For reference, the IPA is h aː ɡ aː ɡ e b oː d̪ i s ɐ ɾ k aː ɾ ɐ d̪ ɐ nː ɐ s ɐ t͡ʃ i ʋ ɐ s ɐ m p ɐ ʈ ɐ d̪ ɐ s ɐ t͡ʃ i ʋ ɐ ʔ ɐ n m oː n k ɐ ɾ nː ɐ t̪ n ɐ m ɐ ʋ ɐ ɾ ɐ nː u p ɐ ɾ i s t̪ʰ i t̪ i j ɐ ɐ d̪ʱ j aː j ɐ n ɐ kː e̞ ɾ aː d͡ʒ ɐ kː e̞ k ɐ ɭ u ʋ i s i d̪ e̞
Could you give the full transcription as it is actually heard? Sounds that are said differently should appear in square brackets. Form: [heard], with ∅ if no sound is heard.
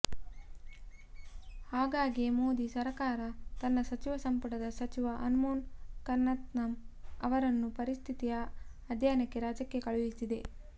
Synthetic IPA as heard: h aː ɡ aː ɡ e [m] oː d̪ i s ɐ ɾ k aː ɾ ɐ [t̪] ɐ nː ɐ s ɐ t͡ʃ i ʋ ɐ s ɐ m p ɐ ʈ ɐ d̪ ɐ s ɐ t͡ʃ i ʋ ɐ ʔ ɐ n m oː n k ɐ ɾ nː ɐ t̪ n ɐ m ɐ ʋ ɐ ɾ ɐ nː u p ɐ ɾ i s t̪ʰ i t̪ i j ɐ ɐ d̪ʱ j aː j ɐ n ɐ kː e̞ ɾ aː d͡ʒ ɐ kː e̞ k ɐ ɭ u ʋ i s i d̪ e̞